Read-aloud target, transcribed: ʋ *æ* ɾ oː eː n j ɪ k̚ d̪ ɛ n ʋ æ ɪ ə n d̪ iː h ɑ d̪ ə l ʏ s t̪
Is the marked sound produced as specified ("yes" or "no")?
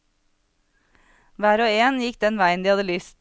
no